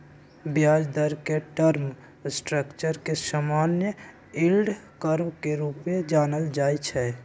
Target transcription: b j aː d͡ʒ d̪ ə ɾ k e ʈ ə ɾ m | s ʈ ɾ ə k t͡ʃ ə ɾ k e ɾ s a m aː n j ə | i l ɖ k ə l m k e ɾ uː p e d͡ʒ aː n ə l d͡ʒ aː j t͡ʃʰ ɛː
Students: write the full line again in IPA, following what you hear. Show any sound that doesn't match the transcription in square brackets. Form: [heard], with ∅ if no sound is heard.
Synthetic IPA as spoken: b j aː d͡ʒ d̪ ə ɾ k e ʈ ə ɾ m | s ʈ ɾ ə k t͡ʃ ə ɾ k e [∅] s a m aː n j ə | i l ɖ k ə [ɾ] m k e ɾ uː p e d͡ʒ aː n ə l d͡ʒ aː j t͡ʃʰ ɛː